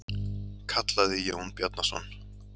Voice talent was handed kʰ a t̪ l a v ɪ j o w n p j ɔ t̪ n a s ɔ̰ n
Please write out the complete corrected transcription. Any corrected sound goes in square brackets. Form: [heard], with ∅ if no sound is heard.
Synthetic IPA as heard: kʰ a t̪ l a [ð] ɪ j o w n p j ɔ t̪ n a s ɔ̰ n